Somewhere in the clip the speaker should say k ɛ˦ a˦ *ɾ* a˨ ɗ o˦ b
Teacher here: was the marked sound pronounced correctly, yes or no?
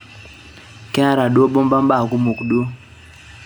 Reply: yes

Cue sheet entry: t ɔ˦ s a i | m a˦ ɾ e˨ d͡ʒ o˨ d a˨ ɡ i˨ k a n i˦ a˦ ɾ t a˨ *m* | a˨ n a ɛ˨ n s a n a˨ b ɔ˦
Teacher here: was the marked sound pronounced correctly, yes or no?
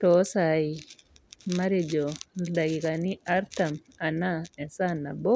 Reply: yes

